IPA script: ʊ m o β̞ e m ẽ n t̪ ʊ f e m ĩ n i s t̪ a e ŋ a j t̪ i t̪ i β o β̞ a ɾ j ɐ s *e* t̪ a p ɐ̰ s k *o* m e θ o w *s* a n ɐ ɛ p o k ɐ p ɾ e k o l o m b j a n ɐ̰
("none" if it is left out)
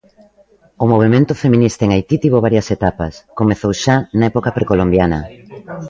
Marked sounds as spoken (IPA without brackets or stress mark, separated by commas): e, o, ʃ